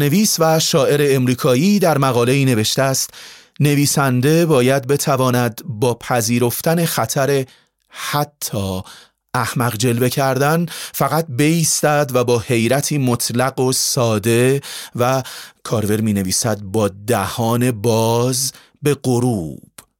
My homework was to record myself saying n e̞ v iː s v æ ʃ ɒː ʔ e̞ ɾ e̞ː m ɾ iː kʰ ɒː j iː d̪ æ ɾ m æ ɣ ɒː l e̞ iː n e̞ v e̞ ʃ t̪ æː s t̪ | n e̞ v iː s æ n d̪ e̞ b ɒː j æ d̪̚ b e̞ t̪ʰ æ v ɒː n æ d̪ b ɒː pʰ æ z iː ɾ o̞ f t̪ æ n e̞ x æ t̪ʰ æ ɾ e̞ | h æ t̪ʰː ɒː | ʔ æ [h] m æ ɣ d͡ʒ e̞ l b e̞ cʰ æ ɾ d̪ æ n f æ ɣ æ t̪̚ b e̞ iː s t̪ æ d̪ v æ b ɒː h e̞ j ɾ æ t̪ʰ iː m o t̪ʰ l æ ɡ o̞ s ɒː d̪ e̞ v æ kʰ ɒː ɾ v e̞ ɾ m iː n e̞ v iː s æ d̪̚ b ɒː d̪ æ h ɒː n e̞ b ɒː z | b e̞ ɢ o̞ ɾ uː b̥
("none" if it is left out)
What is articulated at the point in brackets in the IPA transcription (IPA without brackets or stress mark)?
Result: h